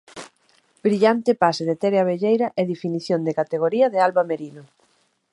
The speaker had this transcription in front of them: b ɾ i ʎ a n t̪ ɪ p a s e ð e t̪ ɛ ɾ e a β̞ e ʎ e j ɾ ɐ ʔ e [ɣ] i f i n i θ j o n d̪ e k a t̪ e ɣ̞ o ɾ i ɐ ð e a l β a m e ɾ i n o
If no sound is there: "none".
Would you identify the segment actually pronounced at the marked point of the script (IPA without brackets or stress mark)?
ð